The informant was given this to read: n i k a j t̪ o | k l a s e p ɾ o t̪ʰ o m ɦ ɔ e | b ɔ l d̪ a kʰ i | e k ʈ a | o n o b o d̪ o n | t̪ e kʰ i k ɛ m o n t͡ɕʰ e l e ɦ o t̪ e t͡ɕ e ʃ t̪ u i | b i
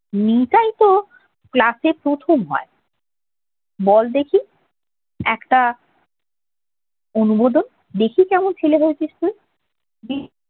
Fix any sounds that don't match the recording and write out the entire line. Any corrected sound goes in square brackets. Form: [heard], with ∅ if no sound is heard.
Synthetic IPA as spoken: n i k a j t̪ o | k l a s e p ɾ o t̪ʰ o m ɦ ɔ e | b ɔ l d̪ [e] kʰ i | [ɛ] k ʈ a | o n [u] b o d̪ o n | [d̪] e kʰ i k ɛ m o n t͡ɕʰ e l e ɦ o [∅] e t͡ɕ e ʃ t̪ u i | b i